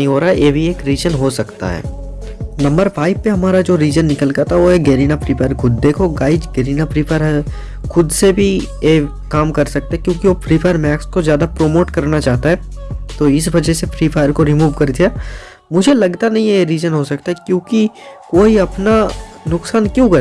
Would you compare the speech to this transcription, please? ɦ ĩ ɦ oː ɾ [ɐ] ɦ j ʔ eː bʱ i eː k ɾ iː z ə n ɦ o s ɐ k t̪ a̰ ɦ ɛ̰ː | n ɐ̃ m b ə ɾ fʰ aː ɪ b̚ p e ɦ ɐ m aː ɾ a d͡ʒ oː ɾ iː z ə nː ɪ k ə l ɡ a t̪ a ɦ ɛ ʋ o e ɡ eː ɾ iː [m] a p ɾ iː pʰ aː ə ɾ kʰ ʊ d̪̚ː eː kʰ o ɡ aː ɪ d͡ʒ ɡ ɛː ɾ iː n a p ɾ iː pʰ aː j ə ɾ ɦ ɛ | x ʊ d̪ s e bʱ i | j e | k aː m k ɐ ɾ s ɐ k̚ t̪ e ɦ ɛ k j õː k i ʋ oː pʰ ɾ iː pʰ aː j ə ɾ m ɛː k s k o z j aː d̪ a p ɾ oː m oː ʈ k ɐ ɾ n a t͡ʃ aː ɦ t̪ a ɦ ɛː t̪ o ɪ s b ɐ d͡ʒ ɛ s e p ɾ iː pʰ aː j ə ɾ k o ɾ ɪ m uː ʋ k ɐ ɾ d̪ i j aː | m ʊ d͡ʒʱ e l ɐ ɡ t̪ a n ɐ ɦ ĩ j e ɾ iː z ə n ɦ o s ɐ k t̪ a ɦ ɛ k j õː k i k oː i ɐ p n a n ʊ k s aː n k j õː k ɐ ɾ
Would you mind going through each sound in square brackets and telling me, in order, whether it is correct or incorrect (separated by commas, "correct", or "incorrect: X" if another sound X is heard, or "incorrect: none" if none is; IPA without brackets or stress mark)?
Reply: incorrect: a, incorrect: n